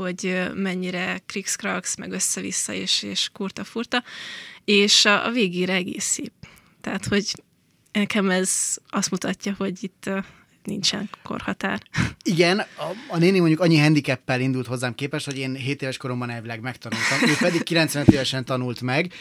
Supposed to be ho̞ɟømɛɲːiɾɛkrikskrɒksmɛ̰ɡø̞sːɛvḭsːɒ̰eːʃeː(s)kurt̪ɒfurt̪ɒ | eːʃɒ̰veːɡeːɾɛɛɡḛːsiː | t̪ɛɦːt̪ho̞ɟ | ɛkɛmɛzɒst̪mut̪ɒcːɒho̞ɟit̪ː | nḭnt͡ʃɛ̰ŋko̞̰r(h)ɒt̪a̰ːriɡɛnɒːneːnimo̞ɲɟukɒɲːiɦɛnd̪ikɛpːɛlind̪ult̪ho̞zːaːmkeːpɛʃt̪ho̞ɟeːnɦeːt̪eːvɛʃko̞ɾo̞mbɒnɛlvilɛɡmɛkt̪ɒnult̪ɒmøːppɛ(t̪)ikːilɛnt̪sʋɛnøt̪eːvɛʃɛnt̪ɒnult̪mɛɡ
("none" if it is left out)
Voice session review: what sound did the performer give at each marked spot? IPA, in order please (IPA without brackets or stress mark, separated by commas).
ʃ, h, d̪